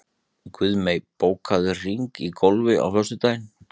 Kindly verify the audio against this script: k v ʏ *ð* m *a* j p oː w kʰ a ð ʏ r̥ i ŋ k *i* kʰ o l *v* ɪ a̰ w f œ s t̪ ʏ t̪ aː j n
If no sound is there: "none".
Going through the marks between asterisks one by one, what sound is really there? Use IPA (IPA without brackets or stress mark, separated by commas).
ð, e, i, v